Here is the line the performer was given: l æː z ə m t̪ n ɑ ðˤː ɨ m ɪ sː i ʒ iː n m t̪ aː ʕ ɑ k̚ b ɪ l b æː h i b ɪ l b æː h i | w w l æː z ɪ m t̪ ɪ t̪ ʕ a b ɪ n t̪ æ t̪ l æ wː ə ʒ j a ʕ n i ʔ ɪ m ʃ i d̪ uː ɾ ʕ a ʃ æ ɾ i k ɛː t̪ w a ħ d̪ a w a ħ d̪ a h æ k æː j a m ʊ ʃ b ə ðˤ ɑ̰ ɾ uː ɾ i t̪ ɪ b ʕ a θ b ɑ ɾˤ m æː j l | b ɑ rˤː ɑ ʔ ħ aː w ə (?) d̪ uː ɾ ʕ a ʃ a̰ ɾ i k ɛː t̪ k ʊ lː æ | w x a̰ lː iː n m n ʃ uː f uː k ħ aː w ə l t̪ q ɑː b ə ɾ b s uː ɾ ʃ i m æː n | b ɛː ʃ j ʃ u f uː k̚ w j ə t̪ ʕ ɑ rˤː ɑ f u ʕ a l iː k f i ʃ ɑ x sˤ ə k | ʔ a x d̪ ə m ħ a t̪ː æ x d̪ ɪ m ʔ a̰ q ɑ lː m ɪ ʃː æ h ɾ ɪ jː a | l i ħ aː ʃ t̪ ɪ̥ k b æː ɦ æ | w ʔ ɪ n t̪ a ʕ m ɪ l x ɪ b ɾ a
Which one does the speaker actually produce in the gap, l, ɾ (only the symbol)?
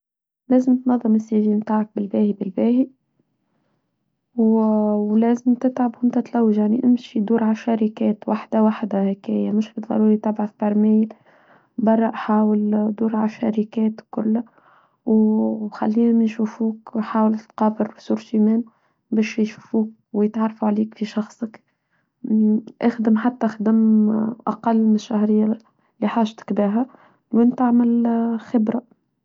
l